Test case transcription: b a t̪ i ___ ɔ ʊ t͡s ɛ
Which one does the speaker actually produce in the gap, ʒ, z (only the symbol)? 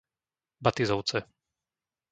z